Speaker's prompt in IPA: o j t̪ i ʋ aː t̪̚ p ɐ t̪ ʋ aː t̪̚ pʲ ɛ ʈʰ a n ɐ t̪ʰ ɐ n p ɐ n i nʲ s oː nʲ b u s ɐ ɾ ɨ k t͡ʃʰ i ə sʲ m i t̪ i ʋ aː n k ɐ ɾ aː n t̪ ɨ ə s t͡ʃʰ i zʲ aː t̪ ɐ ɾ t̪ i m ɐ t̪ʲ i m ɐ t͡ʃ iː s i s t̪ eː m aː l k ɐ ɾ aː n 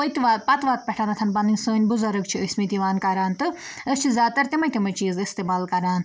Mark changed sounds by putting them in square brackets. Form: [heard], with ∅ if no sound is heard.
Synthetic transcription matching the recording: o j t̪ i ʋ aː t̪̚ p ɐ t̪ ʋ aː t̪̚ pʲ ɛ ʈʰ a n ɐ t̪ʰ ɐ n p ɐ n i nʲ s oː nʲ b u [z] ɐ ɾ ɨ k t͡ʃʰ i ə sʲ m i t̪ i ʋ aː n k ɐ ɾ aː n t̪ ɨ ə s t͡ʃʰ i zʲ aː t̪ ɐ ɾ t̪ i m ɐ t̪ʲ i m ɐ t͡ʃ iː [z] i s t̪ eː m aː l k ɐ ɾ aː n